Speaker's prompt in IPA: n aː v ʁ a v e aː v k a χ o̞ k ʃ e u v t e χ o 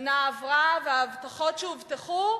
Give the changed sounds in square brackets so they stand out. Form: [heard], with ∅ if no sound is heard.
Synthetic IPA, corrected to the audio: n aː v ʁ a v e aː v [t] a χ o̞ [t] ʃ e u v t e χ [u]